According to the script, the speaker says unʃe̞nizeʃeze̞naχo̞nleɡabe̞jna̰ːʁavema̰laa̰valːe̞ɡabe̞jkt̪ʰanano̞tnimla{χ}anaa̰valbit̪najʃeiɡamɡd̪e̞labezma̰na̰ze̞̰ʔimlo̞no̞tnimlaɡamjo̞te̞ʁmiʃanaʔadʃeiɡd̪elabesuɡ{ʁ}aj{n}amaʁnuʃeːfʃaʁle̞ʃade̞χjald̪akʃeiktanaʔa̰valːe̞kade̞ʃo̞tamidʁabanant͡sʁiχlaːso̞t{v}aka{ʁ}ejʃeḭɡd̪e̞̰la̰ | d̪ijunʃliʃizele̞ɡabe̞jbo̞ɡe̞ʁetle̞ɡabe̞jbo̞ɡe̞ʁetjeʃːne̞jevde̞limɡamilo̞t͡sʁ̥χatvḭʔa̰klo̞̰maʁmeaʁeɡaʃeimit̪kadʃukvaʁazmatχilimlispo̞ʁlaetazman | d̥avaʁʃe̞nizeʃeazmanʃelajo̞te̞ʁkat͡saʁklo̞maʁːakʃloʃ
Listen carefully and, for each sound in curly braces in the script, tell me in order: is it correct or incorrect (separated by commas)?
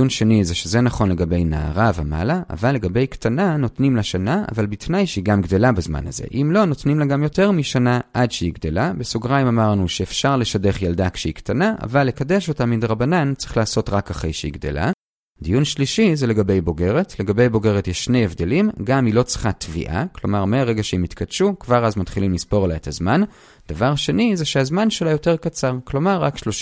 incorrect, correct, incorrect, incorrect, incorrect